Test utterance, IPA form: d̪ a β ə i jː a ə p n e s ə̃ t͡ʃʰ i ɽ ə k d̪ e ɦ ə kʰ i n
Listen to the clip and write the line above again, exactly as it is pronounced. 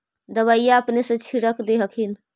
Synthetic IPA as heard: d̪ ə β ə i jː a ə p n e s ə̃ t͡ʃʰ i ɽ ə k d̪ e ɦ ə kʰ i n